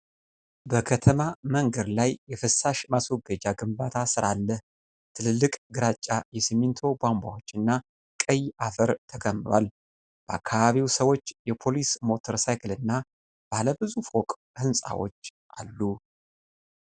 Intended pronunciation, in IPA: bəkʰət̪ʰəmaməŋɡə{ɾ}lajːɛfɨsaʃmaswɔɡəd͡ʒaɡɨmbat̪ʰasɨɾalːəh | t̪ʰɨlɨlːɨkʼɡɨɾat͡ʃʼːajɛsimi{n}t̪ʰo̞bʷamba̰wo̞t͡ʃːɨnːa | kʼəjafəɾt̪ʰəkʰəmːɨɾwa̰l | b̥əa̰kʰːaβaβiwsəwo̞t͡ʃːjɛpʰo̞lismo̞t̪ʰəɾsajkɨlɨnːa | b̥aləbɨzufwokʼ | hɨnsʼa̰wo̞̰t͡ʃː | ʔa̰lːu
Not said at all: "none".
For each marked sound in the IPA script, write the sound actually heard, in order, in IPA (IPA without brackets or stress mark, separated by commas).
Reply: ɾ, n